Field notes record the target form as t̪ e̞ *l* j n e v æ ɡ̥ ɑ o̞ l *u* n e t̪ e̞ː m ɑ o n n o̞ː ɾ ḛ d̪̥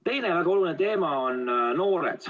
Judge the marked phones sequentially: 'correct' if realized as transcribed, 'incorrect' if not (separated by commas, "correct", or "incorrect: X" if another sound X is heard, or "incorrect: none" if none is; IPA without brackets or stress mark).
incorrect: none, correct